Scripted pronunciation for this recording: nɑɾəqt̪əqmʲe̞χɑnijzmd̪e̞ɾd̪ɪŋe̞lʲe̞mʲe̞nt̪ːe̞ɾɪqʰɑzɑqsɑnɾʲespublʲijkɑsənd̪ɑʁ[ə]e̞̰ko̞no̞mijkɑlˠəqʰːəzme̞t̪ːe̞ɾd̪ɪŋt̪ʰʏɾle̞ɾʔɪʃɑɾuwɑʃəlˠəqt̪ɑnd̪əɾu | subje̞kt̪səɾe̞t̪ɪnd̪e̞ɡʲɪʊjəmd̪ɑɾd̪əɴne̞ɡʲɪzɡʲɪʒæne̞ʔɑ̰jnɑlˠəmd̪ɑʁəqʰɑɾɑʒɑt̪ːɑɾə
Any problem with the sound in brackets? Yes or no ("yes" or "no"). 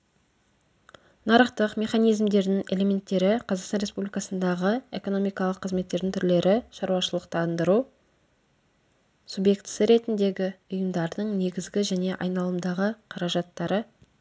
no